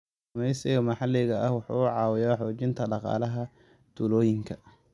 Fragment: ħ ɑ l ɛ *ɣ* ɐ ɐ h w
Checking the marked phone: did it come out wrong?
no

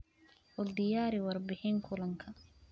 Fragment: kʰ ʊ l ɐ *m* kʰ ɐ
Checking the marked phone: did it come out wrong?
yes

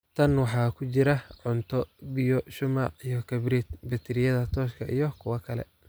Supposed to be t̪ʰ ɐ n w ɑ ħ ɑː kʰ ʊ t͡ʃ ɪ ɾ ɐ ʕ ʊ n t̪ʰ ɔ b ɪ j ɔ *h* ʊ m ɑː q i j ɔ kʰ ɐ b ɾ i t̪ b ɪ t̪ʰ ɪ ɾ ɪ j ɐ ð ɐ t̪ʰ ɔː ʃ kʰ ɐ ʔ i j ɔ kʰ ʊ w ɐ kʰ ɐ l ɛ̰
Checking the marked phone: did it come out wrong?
yes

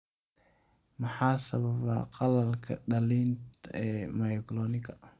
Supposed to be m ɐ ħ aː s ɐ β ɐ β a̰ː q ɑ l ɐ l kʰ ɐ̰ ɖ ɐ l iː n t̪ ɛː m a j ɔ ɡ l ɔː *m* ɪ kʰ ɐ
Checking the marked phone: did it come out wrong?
yes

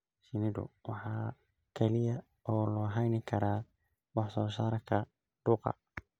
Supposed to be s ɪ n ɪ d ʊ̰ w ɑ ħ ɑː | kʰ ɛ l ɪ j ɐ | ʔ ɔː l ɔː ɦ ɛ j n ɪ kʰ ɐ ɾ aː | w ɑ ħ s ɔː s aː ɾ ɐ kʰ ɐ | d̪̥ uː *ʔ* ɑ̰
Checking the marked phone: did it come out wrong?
yes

